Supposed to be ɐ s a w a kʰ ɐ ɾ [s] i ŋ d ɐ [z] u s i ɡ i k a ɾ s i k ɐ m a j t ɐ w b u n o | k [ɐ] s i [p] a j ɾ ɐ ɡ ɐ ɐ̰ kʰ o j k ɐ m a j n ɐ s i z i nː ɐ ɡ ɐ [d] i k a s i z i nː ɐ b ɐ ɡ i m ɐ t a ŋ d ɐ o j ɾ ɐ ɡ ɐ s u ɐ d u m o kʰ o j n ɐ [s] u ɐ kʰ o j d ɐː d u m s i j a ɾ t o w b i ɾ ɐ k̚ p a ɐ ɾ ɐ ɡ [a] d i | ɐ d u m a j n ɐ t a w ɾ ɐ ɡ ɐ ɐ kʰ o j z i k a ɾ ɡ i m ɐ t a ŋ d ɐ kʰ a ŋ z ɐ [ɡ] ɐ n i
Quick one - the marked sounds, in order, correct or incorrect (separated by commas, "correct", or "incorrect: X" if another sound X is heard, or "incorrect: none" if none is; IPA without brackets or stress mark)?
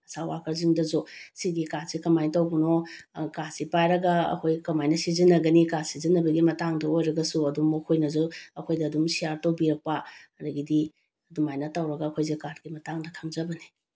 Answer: incorrect: z, correct, incorrect: a, correct, incorrect: n, incorrect: z, incorrect: i, incorrect: b